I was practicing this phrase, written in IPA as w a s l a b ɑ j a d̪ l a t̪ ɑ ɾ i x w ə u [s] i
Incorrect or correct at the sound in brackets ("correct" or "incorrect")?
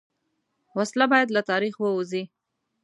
incorrect